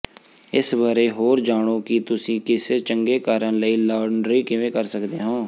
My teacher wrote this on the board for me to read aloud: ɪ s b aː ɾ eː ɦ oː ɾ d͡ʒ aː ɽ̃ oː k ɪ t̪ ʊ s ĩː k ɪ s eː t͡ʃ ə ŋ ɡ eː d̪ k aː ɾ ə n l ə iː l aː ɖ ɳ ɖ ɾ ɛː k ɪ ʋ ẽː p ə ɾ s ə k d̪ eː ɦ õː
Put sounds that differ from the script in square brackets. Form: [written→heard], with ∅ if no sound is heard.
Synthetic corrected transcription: ɪ s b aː ɾ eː ɦ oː ɾ d͡ʒ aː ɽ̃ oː k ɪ t̪ ʊ s ĩː k ɪ s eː t͡ʃ ə ŋ ɡ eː [d̪→∅] k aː ɾ ə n l ə iː l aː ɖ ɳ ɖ ɾ [ɛː→iː] k ɪ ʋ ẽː [p→k] ə ɾ s ə k d̪ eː ɦ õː